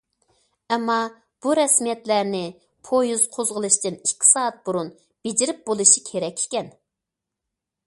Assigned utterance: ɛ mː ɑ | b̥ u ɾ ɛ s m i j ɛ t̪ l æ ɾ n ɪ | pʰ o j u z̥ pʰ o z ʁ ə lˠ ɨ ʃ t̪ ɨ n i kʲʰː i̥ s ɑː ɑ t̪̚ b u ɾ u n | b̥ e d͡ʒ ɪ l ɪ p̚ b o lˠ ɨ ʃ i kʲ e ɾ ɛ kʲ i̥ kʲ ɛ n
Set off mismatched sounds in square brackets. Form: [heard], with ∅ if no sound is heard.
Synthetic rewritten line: ɛ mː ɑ | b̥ u ɾ ɛ s m i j ɛ t̪ l æ ɾ n ɪ | pʰ o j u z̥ [qʰ] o z ʁ ə lˠ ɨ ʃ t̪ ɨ n i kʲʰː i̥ s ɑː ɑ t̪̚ b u ɾ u n | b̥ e d͡ʒ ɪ [ɾ] ɪ p̚ b o lˠ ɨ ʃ i [kʲʰ] e ɾ ɛ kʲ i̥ kʲ ɛ n